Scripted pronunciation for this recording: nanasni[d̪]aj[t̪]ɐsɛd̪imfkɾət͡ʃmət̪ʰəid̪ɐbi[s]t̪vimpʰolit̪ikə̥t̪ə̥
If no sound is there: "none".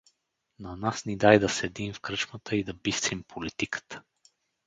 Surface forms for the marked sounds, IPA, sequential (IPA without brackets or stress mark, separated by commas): d̪, d̪, s